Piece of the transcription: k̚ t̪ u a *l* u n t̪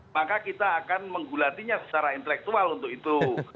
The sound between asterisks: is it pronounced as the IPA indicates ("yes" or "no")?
yes